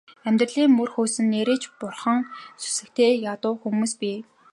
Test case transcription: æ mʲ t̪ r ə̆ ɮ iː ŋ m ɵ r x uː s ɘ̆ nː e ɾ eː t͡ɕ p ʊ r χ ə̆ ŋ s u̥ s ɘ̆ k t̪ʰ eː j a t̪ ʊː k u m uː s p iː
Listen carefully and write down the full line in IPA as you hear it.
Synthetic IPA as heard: æ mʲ t̪ r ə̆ ɮ iː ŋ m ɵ r x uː s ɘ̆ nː e ɾ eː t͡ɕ p ʊ r χ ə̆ ŋ s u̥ s ɘ̆ k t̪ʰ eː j a t̪ ʊː x u m uː s p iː

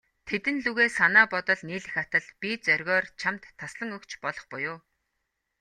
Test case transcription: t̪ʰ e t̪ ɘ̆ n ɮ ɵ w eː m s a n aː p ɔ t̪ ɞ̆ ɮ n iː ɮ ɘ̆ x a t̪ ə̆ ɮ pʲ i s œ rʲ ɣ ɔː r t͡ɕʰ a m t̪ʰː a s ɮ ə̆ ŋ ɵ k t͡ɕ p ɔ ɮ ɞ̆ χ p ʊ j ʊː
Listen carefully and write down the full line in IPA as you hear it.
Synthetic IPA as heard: t̪ʰ e t̪ ɘ̆ n ɮ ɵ ɣ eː s a n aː p ɔ t̪ ɞ̆ ɮ n iː ɮ ɘ̆ x a t̪ ə̆ ɮ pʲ i t͡s œ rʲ ɣ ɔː r t͡ɕʰ a m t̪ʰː a s ɮ ə̆ ŋ ɵ k t͡ɕ p ɔ ɮ ɞ̆ χ p ʊ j ʊː

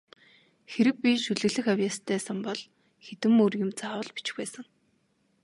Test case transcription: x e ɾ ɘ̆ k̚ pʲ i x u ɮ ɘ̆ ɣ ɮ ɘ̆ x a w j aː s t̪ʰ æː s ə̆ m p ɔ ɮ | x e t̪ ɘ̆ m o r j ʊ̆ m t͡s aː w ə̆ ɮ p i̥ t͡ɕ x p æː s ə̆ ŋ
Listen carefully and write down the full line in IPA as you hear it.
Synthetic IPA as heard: x e ɾ ɘ̆ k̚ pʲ i ʃ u ɮ ɘ̆ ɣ ɮ ɘ̆ x a w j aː s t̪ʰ æː s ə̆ m p ɔ ɮ | x e t̪ ɘ̆ m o r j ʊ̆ m t͡s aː w ə̆ ɮ p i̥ t͡ɕ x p æː s ə̆ ŋ

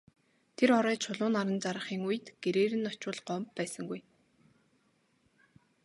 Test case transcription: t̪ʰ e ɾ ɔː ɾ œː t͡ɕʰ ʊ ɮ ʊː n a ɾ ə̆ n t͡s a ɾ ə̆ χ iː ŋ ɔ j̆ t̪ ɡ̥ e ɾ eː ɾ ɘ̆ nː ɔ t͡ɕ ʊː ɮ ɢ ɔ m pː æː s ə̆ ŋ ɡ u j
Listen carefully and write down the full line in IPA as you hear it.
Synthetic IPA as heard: t̪ʰ e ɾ ɔ ɾ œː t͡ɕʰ ʊ ɮ ʊː n a ɾ ə̆ n t͡s a ɾ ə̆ χ iː ŋ u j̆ t̪ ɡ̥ e ɾ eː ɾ ɘ̆ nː ɔ t͡ɕ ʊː ɮ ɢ ɔ m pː æː s ə̆ ŋ ɡ u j

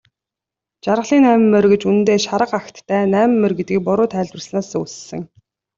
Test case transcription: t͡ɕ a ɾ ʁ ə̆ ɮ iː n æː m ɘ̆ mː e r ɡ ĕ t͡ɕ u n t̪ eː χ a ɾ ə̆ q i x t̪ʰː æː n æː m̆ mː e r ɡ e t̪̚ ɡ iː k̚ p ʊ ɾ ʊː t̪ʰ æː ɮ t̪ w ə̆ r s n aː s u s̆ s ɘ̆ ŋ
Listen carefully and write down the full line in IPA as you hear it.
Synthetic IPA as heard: t͡ɕ a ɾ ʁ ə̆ ɮ iː n æː m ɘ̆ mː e r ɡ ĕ t͡ɕ u n t̪ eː ʃ a ɾ ə̆ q a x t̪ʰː æː n æː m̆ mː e r ɡ e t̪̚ ɡ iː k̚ p ʊ ɾ ʊː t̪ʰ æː ɮ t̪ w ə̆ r s n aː s u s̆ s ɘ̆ ŋ

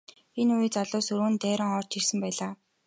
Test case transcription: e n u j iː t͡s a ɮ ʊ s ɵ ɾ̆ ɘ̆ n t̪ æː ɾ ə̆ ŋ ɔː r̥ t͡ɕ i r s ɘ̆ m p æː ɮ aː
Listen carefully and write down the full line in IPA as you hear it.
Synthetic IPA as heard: e n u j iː t͡s a ɮ ʊː s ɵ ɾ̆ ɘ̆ n t̪ æː ɾ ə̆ ŋ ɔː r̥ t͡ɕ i r s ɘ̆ m p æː ɮ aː

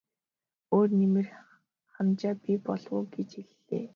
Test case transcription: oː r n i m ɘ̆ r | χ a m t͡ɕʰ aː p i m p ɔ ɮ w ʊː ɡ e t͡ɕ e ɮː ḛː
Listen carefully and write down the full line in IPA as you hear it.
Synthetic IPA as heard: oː r n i m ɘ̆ r | χ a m t͡ɕ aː p i p ɔ ɮ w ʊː ɡ e t͡ɕ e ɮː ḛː

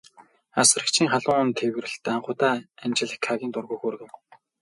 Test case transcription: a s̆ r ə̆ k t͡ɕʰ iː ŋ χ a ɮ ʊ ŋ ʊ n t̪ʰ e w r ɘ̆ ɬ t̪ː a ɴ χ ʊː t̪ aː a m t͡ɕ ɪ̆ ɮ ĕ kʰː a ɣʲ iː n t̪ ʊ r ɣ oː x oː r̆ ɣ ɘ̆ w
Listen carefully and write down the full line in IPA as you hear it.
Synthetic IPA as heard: a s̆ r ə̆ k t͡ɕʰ iː ŋ χ a ɮ ʊ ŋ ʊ n t̪ʰ e w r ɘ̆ ɬ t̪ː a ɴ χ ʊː t̪ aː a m t͡ɕ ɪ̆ ɮ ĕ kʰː a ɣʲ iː n t̪ ʊ r ɣ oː x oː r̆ ɣ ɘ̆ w

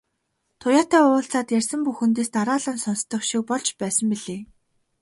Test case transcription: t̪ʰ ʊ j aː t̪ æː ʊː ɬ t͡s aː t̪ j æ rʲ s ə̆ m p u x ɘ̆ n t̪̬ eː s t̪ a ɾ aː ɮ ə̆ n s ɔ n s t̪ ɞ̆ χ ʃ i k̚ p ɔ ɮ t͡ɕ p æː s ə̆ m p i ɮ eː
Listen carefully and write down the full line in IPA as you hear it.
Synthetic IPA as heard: t̪ʰ ʊ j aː t̪ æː ʊː ɬ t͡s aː t̪ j æ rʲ s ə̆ m p u x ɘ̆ n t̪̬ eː s t̪ a ɾ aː ɮ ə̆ n s ɔ n s t̪ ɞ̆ χ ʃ i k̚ p ɔ ɮ t͡ɕ p æː s ə̆ m p i ɮ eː

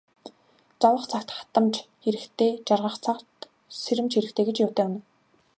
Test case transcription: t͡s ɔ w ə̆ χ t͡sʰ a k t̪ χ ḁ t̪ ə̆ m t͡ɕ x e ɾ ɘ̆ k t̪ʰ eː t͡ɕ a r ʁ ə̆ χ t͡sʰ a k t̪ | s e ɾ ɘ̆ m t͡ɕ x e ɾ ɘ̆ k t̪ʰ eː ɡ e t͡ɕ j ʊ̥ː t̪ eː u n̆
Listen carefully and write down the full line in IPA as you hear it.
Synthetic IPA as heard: t͡s ɔ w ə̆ χ t͡sʰ a k t̪ χ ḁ t̪ ə̆ m t͡ɕ x e ɾ ɘ̆ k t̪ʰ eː t͡ɕ a r ʁ ə̆ χ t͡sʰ a k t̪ | s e ɾ ɘ̆ m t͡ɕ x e ɾ ɘ̆ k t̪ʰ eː ɡ e t͡ɕ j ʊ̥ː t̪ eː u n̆

